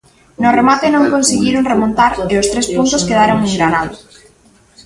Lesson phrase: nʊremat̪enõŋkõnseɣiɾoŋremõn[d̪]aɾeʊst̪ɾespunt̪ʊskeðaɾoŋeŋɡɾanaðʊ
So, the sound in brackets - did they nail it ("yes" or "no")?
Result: no